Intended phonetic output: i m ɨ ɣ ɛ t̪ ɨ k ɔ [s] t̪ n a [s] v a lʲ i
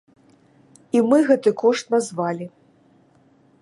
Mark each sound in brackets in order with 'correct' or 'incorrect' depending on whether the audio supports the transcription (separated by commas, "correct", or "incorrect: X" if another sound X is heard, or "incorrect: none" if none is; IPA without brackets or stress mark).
incorrect: ʂ, incorrect: z